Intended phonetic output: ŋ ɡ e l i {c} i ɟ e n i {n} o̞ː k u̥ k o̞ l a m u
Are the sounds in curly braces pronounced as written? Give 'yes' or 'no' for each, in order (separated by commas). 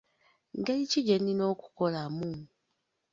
yes, yes